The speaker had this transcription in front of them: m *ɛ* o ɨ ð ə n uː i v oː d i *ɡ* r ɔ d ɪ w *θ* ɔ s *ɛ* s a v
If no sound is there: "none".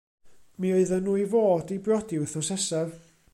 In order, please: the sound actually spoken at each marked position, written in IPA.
i, b, θ, ɛ

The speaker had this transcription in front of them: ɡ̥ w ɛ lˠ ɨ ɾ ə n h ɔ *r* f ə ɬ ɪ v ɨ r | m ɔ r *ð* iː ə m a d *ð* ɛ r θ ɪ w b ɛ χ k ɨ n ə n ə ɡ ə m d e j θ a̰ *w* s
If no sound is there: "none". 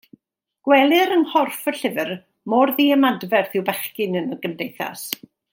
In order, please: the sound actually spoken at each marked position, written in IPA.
r, ð, v, none

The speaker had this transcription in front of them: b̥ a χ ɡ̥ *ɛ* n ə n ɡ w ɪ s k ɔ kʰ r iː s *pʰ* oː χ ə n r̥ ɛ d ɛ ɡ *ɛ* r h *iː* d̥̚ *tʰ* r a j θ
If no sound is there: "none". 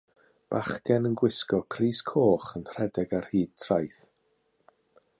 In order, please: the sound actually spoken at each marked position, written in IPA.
ɛ, kʰ, a, iː, tʰ

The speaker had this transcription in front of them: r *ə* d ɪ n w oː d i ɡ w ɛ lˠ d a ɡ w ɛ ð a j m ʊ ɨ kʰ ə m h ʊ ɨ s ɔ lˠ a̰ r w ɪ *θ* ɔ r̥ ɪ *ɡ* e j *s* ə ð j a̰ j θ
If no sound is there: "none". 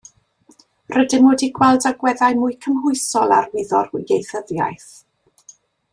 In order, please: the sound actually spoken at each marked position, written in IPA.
ə, ð, ɡ, θ

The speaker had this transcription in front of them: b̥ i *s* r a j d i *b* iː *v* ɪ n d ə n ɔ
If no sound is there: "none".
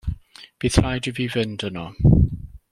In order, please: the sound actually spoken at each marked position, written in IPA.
θ, v, v

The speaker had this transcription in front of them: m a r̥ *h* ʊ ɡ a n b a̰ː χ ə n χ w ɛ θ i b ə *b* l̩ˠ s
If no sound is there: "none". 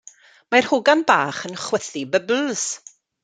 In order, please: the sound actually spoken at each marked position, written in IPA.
h, b

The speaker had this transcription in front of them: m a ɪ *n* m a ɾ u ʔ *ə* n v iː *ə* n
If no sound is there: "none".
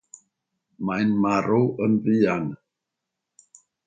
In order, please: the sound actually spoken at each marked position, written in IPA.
n, ə, a

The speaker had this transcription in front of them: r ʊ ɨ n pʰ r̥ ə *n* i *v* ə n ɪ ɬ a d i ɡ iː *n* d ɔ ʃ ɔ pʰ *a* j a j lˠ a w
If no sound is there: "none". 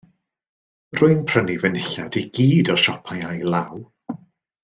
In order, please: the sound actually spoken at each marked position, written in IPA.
n, v, none, a

